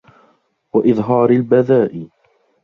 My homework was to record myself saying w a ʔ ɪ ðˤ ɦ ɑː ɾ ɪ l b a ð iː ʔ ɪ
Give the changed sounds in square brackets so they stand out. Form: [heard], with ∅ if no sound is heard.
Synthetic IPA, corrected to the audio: w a ʔ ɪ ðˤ ɦ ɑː ɾ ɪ l b a ð [aː] ʔ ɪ